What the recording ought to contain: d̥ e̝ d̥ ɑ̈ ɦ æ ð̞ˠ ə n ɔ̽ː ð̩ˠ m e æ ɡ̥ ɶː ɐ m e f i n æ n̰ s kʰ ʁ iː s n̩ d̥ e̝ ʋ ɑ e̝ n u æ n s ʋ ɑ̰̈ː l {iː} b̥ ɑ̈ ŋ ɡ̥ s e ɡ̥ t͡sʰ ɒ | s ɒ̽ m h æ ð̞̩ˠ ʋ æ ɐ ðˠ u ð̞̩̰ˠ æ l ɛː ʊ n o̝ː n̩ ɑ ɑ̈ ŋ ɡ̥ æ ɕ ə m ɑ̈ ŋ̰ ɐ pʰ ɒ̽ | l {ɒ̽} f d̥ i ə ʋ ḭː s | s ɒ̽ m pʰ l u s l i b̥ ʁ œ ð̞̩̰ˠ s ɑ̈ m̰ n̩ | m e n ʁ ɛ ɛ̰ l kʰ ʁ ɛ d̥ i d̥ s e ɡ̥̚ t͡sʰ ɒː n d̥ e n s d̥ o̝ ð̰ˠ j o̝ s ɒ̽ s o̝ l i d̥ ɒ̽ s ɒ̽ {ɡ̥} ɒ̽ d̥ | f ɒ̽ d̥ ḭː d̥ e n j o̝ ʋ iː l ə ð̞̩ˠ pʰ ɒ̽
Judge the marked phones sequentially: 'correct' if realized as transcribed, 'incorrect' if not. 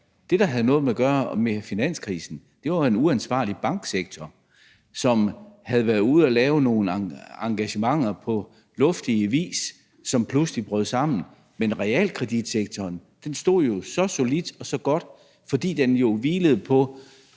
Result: incorrect, incorrect, correct

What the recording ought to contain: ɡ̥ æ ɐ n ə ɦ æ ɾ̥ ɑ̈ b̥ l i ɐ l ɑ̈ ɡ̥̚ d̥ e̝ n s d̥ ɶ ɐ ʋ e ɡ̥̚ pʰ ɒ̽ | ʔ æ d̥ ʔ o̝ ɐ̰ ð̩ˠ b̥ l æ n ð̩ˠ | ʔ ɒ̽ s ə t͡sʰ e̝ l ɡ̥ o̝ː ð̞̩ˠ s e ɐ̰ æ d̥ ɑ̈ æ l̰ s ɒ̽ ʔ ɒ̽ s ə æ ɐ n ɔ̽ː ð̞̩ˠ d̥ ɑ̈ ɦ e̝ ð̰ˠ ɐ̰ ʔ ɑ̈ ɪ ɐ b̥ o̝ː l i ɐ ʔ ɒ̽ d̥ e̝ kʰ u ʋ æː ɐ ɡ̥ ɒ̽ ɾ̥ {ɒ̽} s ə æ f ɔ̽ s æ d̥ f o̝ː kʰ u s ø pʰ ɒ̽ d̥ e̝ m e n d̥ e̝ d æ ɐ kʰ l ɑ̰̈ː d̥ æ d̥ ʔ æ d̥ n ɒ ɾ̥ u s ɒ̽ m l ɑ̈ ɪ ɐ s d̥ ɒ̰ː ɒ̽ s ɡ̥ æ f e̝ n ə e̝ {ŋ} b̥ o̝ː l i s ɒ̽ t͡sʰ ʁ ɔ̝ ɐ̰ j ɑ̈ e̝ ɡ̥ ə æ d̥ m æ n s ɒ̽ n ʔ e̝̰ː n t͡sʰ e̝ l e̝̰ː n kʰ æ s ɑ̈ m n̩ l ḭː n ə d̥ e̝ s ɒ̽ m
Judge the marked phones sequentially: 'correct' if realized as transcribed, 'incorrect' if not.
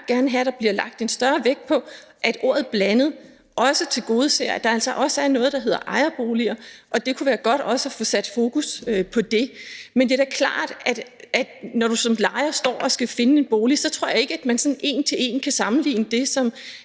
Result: correct, incorrect

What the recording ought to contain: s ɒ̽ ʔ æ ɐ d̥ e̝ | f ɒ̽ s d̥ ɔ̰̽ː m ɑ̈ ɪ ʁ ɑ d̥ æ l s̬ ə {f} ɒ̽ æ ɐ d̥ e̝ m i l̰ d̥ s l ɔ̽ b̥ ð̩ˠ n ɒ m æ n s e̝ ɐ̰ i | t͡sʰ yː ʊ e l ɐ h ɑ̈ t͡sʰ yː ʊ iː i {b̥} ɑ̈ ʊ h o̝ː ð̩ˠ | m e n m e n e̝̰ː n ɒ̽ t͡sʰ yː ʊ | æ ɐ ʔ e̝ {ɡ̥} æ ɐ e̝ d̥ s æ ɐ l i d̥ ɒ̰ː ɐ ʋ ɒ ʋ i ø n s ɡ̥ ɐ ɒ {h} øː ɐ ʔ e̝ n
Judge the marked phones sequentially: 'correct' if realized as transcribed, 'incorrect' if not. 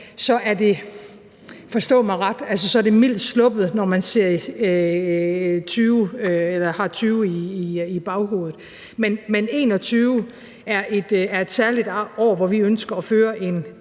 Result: incorrect, correct, incorrect, incorrect

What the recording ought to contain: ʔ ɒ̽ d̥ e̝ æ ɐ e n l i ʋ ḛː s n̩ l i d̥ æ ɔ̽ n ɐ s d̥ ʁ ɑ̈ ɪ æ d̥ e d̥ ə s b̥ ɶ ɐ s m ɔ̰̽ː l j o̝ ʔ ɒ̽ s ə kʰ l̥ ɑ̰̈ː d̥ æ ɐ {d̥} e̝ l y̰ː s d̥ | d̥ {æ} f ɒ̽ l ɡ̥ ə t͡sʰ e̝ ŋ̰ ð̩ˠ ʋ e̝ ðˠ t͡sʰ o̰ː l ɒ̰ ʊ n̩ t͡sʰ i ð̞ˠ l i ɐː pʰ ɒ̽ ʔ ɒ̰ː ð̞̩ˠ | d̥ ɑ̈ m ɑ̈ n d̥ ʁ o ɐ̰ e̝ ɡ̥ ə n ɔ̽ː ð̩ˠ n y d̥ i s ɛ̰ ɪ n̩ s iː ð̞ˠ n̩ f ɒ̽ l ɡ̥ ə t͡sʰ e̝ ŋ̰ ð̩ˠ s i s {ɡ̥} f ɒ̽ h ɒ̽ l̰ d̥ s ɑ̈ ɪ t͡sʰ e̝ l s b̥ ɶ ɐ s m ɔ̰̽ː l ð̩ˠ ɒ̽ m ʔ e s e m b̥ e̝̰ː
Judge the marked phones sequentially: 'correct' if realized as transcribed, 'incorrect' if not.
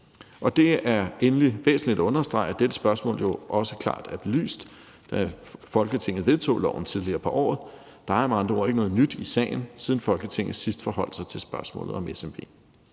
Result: incorrect, correct, incorrect

